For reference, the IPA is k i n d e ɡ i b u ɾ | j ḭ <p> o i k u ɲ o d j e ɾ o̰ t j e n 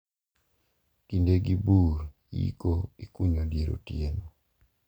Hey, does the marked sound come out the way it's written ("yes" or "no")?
no